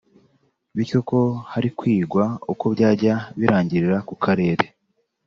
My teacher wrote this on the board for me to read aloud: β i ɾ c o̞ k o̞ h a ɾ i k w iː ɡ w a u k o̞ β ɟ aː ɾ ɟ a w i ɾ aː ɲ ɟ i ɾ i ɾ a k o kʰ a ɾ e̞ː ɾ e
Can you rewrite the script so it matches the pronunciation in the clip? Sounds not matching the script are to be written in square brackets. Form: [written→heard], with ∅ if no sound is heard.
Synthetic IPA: β i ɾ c o̞ k o̞ h a ɾ i k w iː ɡ w a u k o̞ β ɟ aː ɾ ɟ a [w→β] i ɾ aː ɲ ɟ i ɾ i ɾ a k [o→u] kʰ a ɾ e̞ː ɾ e

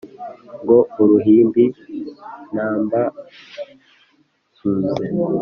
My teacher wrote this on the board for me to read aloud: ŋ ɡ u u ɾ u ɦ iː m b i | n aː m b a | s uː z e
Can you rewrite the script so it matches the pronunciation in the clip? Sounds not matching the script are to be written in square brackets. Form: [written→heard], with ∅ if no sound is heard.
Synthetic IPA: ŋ ɡ [u→o] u ɾ u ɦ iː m b i | n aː m b a | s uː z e

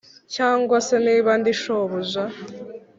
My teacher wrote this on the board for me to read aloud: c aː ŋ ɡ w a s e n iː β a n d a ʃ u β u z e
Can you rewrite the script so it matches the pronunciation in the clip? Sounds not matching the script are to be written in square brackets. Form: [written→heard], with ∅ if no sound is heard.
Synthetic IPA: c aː ŋ ɡ w a s e n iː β a n d [a→i] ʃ [u→o] β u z [e→a]

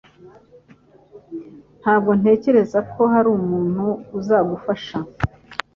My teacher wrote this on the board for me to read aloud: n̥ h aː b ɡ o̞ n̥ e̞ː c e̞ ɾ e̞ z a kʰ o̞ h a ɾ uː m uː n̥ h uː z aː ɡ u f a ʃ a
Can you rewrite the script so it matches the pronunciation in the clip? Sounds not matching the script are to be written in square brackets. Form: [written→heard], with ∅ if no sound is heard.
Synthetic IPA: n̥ h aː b ɡ o̞ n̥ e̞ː c e̞ ɾ e̞ z a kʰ o̞ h a ɾ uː m uː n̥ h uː z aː ɡ u f a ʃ a

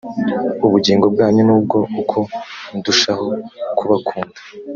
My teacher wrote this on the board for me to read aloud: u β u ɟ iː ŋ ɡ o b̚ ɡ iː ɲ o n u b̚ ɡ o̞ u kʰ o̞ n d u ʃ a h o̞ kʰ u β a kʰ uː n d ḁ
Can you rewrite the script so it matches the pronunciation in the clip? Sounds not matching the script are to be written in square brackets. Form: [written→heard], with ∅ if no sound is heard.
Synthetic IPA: u β u ɟ iː ŋ ɡ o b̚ ɡ [iː→aː] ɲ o n [u→uː] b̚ ɡ o̞ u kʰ o̞ n d u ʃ a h o̞ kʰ u β a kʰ uː n d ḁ

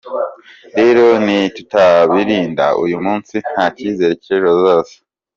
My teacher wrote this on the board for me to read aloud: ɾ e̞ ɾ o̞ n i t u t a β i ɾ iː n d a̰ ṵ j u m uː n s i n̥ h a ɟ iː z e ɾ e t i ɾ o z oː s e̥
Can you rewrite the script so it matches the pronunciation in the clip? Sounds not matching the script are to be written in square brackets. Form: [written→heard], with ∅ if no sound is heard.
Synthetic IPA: ɾ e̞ ɾ o̞ n i t u t a β i ɾ iː n d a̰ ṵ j u m uː n s i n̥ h a [ɟ→c] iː z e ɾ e [t→c] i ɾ o z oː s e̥

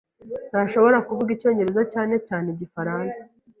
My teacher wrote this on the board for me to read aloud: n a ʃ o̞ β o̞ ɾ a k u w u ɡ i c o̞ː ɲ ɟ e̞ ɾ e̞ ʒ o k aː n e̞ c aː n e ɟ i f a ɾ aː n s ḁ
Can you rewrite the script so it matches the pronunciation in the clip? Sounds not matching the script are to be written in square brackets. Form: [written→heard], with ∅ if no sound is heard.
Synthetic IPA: n a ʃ o̞ β o̞ ɾ a k u [w→v] u ɡ i c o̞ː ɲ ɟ e̞ ɾ e̞ [ʒ→z] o [k→c] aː n e̞ c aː n e ɟ i f a ɾ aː n s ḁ

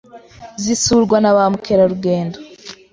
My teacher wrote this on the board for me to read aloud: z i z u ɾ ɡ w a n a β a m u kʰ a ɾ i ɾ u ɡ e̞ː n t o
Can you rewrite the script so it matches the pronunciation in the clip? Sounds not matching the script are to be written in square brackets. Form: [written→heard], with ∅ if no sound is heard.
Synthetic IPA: z i [z→s] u ɾ ɡ w a n a β a m u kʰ [a→e] ɾ [i→a] ɾ u ɡ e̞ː n [t→d] o

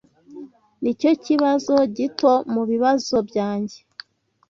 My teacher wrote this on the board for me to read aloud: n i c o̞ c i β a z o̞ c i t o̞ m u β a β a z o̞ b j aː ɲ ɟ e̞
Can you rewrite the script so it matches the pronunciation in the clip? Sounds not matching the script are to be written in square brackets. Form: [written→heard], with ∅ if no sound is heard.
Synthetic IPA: n i c o̞ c i β a z o̞ [c→ɟ] i t o̞ m u β [a→i] β a z o̞ b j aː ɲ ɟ e̞

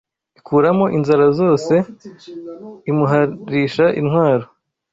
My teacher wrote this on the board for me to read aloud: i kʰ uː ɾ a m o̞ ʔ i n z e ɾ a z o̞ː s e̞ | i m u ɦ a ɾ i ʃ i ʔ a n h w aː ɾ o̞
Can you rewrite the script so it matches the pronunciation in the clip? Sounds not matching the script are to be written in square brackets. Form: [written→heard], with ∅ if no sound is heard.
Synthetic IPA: i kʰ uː ɾ a m o̞ ʔ i n z [e→a] ɾ a z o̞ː s e̞ | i m u ɦ a ɾ i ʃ [i→a] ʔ [a→i] n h w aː ɾ o̞

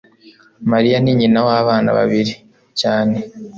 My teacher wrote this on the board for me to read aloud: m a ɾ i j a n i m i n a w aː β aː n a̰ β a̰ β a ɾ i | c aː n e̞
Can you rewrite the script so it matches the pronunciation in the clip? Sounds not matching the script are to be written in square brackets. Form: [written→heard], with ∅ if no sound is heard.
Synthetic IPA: m a ɾ i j a n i [m→ɲ] i n a w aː β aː n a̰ β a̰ β [a→i] ɾ i | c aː n e̞

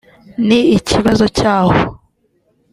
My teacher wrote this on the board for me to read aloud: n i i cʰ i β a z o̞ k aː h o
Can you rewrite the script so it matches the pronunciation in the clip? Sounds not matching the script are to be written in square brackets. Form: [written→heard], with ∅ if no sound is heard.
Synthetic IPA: n i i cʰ i β a z o̞ [k→c] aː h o

